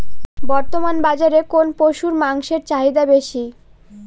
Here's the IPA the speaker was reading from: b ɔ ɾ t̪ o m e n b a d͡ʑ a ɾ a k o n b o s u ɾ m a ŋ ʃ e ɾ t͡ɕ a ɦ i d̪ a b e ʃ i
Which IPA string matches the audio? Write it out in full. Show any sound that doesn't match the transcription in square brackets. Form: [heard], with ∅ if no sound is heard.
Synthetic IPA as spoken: b ɔ ɾ t̪ o m [a] n b a d͡ʑ a ɾ [e] k o n [p] o [ʃ] u ɾ m a ŋ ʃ e ɾ t͡ɕ a ɦ i d̪ a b e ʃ i